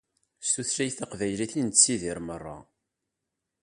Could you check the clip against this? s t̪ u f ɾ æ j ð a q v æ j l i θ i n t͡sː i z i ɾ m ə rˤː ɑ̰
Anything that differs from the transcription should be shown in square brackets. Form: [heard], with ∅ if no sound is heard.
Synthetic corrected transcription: s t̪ u [θ] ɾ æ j [θ] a q v æ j l i θ i n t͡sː i [ð] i ɾ m ə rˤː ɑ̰